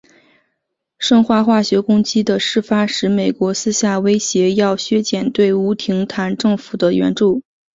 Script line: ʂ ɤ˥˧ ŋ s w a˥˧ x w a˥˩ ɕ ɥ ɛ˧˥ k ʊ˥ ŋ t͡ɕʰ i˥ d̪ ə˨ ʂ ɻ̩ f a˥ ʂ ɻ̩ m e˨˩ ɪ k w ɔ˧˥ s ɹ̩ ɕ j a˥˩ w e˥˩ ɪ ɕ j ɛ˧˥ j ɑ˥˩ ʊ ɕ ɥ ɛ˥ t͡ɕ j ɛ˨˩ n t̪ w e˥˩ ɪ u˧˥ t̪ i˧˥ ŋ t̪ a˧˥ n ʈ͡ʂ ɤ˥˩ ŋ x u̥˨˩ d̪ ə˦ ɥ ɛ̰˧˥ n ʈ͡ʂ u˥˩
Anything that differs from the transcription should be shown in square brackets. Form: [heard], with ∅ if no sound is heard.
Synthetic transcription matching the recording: ʂ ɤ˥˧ ŋ [x] w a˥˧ x w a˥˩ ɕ ɥ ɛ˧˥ k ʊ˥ ŋ [t͡ɕ] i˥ d̪ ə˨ ʂ ɻ̩ f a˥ ʂ ɻ̩ m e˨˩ ɪ k w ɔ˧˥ s ɹ̩ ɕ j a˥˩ w [e˥] ɪ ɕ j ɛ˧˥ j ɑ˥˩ ʊ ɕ ɥ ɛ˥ t͡ɕ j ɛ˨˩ n t̪ w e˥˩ ɪ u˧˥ [t̪ʰ] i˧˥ ŋ [t̪ʰ] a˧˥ n ʈ͡ʂ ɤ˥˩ ŋ [f] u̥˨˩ d̪ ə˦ ɥ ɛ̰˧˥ n ʈ͡ʂ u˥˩

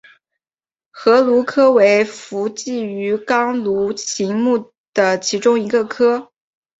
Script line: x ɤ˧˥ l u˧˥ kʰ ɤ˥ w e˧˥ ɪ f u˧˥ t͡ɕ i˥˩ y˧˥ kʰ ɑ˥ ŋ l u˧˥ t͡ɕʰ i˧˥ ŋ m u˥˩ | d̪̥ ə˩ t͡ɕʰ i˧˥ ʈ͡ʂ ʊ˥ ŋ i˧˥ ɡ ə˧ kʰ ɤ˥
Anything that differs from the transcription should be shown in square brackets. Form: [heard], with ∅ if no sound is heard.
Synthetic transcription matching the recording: x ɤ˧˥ l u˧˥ kʰ ɤ˥ w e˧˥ ɪ f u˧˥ t͡ɕ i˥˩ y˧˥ [k] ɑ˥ ŋ l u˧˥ t͡ɕʰ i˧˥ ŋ m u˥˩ | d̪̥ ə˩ t͡ɕʰ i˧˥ ʈ͡ʂ ʊ˥ ŋ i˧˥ ɡ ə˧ kʰ ɤ˥

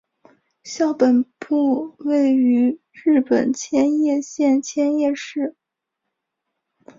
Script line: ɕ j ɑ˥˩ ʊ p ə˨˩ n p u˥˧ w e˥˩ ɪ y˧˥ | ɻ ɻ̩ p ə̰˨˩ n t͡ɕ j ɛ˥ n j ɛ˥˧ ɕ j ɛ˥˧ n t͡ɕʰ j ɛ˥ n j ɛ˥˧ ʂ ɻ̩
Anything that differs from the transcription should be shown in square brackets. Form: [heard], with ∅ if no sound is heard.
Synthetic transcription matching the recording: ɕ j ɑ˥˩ ʊ p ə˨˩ n p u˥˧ w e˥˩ ɪ y˧˥ | ɻ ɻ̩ p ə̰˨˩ n [t͡ɕʰ] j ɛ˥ n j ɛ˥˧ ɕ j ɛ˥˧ n t͡ɕʰ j ɛ˥ n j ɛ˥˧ ʂ ɻ̩

